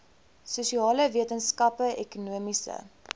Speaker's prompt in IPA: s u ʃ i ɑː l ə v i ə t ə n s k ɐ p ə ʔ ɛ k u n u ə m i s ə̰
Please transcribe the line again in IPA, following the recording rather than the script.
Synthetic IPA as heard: s u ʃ i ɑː l ə v i ə t ə n s k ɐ p ə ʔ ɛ k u n u ə m i s ə̰